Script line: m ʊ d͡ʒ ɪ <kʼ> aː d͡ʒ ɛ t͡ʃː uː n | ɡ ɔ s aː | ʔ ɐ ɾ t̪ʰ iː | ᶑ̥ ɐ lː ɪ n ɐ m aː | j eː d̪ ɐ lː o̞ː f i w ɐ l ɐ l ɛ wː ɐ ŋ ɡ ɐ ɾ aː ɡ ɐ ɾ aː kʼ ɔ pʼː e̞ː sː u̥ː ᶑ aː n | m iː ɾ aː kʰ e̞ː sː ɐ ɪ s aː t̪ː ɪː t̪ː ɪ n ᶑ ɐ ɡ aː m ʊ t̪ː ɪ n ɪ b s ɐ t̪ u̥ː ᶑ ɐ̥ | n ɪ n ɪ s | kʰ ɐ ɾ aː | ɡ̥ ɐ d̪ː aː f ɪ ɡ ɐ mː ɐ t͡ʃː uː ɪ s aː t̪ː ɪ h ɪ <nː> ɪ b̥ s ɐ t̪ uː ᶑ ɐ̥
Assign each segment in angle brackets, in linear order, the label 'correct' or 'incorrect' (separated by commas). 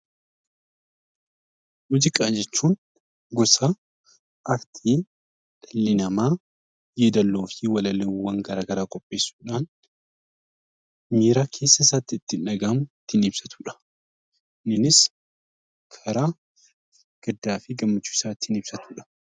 correct, incorrect